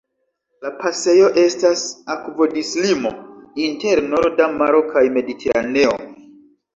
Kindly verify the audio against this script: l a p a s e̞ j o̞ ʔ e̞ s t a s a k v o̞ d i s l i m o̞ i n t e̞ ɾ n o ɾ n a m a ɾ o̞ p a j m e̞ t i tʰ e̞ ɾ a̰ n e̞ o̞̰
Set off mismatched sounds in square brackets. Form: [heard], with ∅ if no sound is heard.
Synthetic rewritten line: l a p a s e̞ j o̞ ʔ e̞ s t a s a k v o̞ d i s l i m o̞ i n t e̞ ɾ n o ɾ [d] a m a ɾ o̞ [k] a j m e̞ [d] i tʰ e̞ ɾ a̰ n e̞ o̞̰